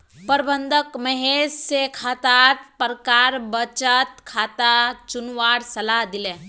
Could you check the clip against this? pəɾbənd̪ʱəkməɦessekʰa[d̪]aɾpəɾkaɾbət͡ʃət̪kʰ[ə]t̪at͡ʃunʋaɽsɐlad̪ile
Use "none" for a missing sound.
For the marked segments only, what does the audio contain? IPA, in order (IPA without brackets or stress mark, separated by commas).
t̪, a